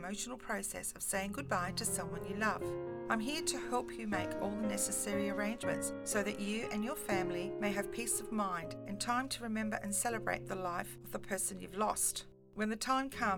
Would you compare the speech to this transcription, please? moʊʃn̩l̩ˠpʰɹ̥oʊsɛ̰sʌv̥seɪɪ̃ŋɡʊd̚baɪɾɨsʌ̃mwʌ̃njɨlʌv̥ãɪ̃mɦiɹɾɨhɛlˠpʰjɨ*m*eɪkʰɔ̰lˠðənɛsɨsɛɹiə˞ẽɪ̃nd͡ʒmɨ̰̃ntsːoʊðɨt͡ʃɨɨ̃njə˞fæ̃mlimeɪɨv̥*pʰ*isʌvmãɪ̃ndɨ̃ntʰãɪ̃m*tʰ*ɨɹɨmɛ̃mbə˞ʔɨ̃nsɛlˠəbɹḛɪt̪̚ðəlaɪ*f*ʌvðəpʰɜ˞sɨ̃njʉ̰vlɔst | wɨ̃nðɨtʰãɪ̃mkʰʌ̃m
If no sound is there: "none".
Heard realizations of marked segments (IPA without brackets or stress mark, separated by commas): m, pʰ, tʰ, f